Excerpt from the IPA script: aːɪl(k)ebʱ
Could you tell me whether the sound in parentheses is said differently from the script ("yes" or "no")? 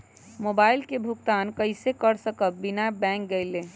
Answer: no